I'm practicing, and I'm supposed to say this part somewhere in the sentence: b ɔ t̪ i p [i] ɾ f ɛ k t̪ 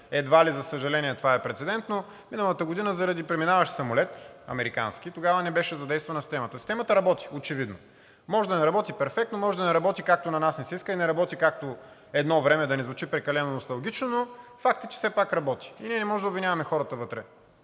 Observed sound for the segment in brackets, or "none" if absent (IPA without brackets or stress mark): ɛ